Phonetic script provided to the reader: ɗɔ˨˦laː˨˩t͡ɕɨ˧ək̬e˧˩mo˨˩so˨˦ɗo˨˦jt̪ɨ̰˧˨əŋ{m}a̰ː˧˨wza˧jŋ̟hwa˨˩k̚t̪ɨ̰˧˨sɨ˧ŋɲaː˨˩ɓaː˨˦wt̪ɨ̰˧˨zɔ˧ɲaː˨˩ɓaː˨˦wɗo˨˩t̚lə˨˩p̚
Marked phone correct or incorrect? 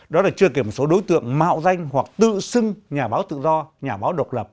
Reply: correct